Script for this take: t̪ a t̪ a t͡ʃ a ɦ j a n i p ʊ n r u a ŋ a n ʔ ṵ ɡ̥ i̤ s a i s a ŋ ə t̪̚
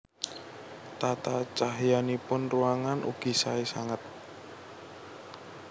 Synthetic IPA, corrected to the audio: t̪ a t̪ a t͡ʃ a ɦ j a n i p ʊ n r u a ŋ a n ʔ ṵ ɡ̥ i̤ s a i s a ŋ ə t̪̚